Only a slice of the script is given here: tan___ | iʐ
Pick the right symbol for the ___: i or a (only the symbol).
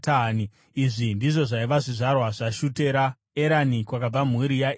i